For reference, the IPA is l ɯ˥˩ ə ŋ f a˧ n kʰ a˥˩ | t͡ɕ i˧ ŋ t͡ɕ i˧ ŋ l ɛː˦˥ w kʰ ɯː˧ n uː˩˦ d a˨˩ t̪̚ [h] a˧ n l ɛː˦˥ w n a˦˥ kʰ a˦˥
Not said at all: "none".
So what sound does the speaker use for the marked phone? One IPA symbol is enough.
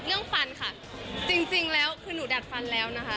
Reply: f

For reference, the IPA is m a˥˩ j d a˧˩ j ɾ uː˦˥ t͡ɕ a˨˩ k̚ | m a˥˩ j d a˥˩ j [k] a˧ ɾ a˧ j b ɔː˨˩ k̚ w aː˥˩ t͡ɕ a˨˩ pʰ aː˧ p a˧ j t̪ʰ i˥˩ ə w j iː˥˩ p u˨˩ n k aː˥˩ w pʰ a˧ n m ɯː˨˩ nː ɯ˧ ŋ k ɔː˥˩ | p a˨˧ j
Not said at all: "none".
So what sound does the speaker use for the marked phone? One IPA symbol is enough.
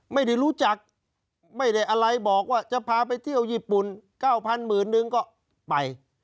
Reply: ʔ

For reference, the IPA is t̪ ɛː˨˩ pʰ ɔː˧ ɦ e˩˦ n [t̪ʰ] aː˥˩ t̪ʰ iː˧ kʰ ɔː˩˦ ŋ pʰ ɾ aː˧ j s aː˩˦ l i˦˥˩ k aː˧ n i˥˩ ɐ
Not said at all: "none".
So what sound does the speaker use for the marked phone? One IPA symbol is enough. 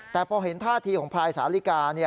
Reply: t̪ʰ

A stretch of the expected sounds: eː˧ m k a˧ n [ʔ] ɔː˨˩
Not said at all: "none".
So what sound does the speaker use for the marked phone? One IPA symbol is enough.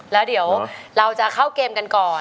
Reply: k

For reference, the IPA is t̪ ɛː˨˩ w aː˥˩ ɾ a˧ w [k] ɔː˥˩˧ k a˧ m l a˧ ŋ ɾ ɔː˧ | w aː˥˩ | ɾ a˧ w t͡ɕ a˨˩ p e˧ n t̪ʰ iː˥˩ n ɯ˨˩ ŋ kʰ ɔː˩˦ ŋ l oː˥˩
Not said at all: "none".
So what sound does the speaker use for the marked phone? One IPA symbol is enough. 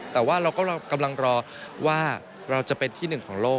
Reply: k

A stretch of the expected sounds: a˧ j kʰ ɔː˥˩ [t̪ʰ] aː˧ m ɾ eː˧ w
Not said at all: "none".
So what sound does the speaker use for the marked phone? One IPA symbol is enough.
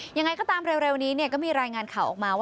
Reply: t̪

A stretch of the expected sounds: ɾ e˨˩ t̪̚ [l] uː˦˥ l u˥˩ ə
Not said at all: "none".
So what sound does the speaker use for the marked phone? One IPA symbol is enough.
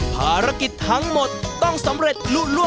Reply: l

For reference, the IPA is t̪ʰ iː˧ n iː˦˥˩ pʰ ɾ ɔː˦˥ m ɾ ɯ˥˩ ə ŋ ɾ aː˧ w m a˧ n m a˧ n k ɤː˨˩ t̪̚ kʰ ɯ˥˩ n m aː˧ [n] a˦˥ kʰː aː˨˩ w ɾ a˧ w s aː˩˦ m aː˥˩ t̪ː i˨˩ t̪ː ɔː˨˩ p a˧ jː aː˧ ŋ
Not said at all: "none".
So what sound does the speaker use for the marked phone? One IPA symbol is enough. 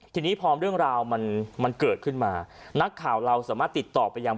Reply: n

